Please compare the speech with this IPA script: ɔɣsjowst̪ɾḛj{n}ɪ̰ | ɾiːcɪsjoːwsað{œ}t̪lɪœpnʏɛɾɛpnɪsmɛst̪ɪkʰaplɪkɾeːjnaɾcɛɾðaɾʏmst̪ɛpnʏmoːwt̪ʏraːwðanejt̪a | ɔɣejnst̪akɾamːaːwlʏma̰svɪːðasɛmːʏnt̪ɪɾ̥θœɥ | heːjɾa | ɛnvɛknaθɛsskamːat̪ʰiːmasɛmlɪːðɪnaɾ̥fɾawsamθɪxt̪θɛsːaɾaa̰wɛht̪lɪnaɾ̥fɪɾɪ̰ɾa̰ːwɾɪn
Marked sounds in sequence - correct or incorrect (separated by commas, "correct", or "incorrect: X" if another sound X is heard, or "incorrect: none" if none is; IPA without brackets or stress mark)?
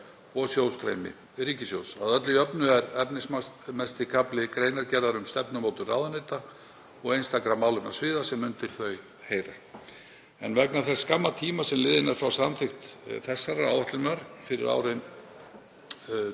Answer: incorrect: m, correct